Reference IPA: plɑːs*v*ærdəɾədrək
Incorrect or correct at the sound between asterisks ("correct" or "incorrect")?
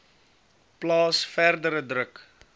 incorrect